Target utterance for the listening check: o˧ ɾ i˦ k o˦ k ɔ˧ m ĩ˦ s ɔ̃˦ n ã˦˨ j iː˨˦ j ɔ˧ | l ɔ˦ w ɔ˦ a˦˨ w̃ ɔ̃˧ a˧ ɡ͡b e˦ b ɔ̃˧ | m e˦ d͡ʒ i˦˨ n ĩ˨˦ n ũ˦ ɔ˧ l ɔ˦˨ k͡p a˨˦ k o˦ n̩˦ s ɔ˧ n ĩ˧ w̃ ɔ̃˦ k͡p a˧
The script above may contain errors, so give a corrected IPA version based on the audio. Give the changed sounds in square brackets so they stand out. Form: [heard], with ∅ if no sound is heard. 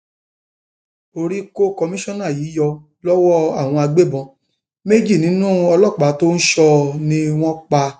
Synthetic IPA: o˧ ɾ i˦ k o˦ k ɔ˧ m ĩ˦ [ʃ] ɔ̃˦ n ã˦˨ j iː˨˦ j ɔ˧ | l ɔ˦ w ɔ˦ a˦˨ w̃ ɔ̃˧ a˧ ɡ͡b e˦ b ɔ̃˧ | m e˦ d͡ʒ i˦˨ n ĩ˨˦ n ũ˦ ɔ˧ l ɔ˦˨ k͡p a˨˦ [t] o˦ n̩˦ [ʃ] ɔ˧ n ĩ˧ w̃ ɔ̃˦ k͡p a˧